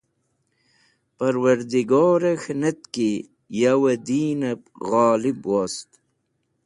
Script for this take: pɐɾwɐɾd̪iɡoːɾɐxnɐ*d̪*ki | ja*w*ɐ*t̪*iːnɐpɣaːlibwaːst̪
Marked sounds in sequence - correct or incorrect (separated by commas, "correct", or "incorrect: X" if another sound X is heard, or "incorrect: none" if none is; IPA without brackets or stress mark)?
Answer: incorrect: t̪, correct, incorrect: d̪